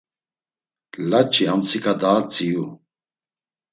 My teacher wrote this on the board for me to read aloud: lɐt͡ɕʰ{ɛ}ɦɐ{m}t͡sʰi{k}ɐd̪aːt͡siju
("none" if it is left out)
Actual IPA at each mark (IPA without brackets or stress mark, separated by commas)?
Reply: i, m, k